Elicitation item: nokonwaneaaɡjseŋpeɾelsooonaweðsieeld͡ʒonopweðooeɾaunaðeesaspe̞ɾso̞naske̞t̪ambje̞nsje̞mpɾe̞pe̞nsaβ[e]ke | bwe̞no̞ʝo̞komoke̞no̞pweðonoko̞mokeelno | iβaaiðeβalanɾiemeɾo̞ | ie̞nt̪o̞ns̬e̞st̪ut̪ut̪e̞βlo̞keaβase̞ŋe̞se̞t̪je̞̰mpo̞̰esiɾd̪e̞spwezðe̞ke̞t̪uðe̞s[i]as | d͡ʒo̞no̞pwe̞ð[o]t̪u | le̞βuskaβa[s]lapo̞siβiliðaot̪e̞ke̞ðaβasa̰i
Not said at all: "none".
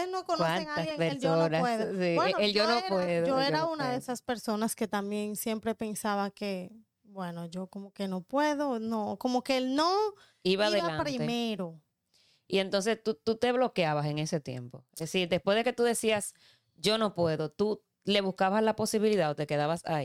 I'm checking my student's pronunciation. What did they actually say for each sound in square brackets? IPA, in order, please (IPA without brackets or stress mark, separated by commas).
a, i, o, s